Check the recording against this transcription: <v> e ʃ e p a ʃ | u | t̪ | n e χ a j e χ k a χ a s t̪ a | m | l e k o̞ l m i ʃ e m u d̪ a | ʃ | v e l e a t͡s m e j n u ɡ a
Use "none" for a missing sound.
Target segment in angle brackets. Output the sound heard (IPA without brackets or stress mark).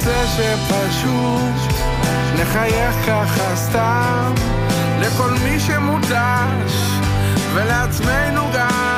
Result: z